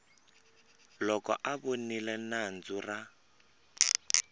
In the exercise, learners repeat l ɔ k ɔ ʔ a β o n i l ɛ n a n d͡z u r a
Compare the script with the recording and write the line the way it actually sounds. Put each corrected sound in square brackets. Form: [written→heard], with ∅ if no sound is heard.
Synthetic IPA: l ɔ k ɔ ʔ a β o n i l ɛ n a n d͡z u r a

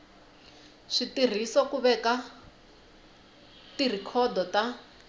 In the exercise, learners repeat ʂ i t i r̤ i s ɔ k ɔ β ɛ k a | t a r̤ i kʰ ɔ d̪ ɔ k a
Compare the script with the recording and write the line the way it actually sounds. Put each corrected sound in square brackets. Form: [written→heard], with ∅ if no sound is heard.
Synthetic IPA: ʂ i t i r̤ i s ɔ k [ɔ→u] β ɛ k a | t [a→i] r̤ i kʰ ɔ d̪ ɔ [k→t] a

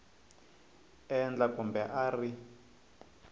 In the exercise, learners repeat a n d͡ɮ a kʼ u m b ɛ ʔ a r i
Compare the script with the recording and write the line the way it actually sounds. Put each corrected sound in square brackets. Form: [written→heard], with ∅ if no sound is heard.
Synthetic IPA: [a→ɛ] n d͡ɮ a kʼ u m b ɛ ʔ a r i

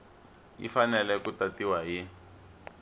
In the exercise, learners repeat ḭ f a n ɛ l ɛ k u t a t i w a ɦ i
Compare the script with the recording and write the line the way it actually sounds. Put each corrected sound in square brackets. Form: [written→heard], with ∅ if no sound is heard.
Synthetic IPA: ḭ f a n ɛ l ɛ k u t a t i w a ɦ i

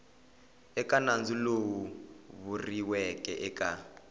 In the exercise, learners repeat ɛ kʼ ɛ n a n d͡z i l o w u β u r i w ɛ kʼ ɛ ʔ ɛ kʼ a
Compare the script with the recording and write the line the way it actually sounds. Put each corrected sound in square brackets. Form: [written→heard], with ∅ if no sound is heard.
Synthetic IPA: ɛ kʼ [ɛ→a] n a n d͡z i l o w u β u r i w ɛ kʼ ɛ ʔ ɛ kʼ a

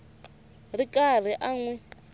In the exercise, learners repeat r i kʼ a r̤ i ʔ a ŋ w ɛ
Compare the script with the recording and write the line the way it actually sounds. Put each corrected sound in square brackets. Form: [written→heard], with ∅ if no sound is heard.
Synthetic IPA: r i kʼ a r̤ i ʔ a ŋ w ɛ

